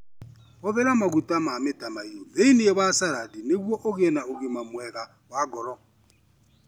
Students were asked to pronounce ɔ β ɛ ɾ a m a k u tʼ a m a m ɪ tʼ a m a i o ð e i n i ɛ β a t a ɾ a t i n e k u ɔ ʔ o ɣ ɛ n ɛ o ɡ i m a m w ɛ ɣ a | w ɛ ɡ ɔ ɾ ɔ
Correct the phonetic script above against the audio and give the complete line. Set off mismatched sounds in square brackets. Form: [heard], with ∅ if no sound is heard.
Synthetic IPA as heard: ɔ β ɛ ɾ a m a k u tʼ a m a m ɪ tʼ a m a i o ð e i n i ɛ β a [s] a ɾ a [d] i n e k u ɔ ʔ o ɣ ɛ n [a] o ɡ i m a m w ɛ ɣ a | w [a] ɡ ɔ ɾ ɔ